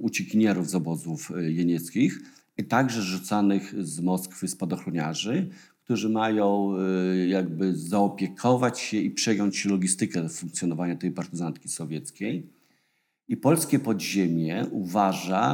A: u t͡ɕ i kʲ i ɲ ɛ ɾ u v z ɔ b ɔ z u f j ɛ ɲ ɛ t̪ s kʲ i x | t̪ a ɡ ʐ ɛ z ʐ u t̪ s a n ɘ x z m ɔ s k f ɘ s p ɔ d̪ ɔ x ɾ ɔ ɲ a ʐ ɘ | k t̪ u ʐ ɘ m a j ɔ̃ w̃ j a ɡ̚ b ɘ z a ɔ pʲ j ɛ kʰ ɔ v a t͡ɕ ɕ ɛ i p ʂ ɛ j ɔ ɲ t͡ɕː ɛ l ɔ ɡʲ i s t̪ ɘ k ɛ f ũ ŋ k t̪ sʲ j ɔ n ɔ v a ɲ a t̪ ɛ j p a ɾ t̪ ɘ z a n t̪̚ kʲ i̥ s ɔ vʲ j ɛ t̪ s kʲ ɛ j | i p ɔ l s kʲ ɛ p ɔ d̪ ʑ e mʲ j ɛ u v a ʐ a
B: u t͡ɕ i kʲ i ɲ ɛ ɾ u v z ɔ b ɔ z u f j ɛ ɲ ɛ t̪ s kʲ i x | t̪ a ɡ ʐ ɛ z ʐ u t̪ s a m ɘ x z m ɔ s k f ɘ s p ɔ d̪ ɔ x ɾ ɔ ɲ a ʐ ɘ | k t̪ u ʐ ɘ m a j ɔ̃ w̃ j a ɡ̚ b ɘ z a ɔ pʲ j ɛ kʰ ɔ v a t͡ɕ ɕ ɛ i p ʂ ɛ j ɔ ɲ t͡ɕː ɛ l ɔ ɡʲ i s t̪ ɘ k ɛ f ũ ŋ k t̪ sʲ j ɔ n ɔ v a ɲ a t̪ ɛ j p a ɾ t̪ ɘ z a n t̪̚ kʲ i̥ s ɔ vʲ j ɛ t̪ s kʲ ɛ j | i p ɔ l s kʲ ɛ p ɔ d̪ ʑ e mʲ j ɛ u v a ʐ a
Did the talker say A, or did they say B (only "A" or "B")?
A